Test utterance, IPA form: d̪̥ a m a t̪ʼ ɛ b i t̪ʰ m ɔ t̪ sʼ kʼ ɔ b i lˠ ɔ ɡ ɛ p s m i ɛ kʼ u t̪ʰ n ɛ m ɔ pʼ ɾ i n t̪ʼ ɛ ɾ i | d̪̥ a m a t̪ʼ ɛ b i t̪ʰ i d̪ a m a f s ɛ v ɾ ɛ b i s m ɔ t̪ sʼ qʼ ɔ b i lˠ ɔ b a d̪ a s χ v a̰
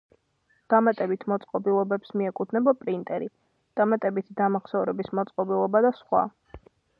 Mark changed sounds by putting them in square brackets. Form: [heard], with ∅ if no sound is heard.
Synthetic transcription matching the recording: d̪̥ a m a t̪ʼ ɛ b i t̪ʰ m ɔ t̪ sʼ [qʼ] ɔ b i lˠ ɔ [b] ɛ p s m i ɛ kʼ u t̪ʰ n ɛ [b] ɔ pʼ ɾ i n t̪ʼ ɛ ɾ i | d̪̥ a m a t̪ʼ ɛ b i t̪ʰ i d̪ a m a [χ] s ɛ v ɾ ɛ b i s m ɔ t̪ sʼ qʼ ɔ b i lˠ ɔ b a d̪ a s χ [w] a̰